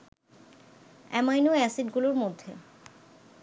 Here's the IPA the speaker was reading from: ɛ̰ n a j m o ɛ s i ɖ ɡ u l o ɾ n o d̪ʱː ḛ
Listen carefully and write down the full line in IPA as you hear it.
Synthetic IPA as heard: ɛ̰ m a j n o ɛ s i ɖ ɡ u l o ɾ m o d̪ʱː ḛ